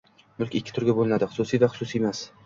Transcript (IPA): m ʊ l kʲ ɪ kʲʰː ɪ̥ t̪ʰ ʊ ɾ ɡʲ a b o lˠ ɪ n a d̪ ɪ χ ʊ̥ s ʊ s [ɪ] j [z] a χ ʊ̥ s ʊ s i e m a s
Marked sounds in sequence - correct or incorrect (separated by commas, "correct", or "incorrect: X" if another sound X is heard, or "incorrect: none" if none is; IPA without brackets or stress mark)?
incorrect: i, incorrect: v